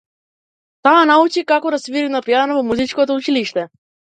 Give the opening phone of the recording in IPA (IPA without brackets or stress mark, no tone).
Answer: t̪